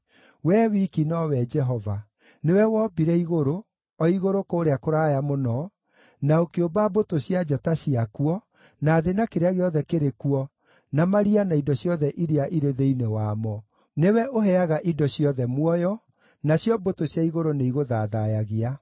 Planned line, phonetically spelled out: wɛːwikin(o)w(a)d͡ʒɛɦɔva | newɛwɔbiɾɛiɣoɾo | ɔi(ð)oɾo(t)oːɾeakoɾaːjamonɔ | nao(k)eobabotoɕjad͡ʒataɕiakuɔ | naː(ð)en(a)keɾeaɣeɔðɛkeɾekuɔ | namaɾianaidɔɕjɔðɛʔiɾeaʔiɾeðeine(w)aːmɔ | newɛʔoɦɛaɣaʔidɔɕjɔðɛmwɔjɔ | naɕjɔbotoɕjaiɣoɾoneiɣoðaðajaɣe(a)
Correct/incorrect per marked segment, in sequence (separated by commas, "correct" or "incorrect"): incorrect, incorrect, incorrect, incorrect, correct, correct, correct, correct, correct